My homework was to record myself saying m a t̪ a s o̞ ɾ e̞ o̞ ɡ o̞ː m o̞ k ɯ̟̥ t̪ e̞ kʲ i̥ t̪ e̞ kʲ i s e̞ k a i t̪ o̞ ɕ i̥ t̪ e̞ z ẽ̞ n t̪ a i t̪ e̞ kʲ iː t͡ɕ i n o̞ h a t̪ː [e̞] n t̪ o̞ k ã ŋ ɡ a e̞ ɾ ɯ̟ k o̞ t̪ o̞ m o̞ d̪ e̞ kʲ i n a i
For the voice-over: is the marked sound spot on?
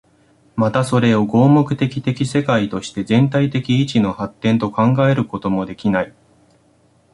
no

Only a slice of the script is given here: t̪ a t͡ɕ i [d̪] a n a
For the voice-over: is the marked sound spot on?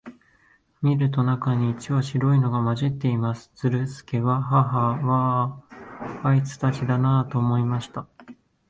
yes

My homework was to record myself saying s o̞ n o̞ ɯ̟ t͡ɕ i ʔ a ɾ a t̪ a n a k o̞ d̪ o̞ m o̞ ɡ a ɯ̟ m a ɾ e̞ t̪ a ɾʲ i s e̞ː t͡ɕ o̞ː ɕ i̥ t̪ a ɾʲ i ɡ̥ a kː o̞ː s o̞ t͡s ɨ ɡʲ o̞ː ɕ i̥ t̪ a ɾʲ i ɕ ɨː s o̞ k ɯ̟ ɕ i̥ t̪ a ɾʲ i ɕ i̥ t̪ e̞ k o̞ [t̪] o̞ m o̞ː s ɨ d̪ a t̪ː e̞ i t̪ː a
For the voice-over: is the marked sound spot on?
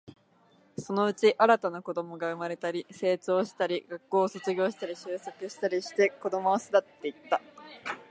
no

